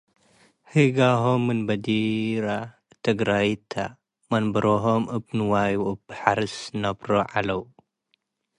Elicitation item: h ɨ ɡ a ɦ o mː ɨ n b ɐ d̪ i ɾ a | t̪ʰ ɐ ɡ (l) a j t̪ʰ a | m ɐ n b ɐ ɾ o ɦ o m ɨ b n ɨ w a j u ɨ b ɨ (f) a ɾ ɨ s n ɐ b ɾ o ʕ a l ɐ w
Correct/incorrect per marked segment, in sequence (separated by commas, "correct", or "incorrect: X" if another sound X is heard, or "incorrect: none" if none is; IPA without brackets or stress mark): incorrect: ɾ, incorrect: ħ